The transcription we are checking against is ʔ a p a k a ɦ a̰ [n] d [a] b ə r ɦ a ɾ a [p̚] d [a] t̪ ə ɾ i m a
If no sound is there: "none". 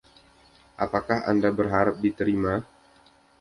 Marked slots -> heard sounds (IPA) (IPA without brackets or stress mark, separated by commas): n, a, p̚, i